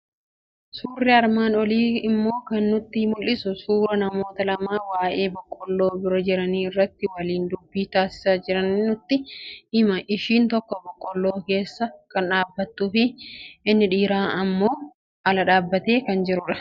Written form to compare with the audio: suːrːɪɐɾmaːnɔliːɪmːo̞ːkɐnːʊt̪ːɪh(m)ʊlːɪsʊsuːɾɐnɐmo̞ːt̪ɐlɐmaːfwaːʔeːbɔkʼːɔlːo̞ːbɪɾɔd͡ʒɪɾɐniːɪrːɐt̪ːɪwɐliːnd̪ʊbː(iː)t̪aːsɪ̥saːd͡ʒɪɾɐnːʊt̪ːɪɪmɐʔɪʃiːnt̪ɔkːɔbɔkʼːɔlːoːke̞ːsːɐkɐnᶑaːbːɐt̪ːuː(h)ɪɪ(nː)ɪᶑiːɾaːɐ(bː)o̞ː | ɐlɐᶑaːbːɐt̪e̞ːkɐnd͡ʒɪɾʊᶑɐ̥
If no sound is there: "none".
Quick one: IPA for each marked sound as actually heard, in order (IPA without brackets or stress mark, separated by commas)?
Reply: m, iː, f, nː, mː